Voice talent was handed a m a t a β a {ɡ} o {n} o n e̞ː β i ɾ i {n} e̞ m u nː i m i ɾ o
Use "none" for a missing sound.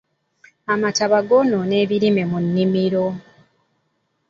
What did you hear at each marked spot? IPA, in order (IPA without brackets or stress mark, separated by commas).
ɡ, n, m